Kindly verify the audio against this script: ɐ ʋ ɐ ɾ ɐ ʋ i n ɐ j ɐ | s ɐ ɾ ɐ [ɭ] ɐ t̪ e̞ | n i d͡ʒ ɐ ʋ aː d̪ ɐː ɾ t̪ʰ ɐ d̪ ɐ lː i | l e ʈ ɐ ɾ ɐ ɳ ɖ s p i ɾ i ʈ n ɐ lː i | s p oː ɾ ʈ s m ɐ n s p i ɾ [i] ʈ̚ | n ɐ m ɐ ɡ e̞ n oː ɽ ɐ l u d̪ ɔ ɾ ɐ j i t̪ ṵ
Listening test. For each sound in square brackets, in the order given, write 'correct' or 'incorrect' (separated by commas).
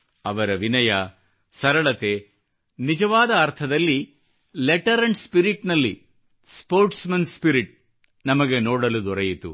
correct, correct